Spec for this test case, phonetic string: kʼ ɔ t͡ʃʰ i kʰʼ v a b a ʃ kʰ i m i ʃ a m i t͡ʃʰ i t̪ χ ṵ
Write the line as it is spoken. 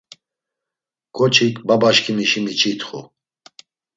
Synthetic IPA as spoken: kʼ ɔ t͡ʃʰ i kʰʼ b a b a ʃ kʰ i m i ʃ i m i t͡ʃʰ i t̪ χ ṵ